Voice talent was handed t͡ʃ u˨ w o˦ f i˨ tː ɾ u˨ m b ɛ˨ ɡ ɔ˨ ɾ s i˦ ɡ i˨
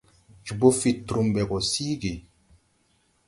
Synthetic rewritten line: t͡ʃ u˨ b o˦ f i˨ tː ɾ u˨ m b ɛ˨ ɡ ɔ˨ s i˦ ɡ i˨